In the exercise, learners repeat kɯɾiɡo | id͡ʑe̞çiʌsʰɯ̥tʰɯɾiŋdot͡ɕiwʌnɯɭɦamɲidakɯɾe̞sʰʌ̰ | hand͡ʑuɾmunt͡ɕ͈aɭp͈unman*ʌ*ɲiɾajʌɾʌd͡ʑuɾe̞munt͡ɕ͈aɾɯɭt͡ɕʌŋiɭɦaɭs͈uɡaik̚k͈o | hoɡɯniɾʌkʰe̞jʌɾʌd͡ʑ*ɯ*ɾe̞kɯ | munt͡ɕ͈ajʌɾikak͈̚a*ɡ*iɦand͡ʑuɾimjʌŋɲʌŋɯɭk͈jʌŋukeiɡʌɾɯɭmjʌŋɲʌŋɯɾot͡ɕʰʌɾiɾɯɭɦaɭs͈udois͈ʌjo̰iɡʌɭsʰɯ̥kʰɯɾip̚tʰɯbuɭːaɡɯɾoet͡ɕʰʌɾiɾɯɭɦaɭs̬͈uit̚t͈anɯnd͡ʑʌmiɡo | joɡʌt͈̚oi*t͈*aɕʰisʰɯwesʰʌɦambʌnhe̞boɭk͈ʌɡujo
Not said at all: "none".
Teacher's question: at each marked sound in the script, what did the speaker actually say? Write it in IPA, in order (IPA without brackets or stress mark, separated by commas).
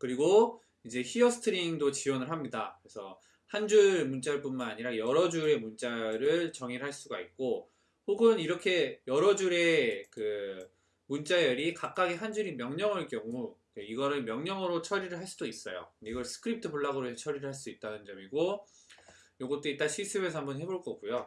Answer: a, u, ɡ, t͈